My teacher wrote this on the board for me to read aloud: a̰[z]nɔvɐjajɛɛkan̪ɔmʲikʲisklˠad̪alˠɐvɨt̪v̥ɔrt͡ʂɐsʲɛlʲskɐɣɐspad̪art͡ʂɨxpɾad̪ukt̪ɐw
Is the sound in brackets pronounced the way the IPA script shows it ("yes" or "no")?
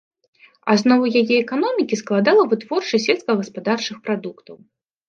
yes